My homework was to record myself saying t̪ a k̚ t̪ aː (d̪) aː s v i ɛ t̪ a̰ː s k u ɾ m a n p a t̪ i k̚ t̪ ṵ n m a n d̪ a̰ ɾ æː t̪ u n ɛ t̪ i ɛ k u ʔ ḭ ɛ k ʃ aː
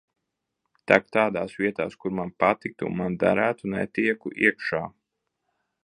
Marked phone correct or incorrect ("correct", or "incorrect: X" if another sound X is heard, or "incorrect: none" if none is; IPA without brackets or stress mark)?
correct